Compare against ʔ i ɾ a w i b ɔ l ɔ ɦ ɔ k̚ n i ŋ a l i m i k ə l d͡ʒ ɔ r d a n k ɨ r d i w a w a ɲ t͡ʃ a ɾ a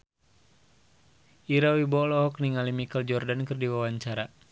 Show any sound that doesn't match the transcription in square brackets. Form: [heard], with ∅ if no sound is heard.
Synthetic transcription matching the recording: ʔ i ɾ a w i b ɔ l ɔ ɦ ɔ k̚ n i ŋ a l i m i k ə l d͡ʒ ɔ r d a n k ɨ r d i w a w a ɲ t͡ʃ a ɾ a